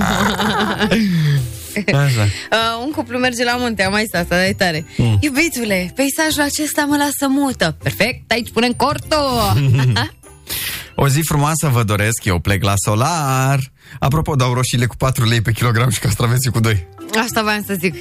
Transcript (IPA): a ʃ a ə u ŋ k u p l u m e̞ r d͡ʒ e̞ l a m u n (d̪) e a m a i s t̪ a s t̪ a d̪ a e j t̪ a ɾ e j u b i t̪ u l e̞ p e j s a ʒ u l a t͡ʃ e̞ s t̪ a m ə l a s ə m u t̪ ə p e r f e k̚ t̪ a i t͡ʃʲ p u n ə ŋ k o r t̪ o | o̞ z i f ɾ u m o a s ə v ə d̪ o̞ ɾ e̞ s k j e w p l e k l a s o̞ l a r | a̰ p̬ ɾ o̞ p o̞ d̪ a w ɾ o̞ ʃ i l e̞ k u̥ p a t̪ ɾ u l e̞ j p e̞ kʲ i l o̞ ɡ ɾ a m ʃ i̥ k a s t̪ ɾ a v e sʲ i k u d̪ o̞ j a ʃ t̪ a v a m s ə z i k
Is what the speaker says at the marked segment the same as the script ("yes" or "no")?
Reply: no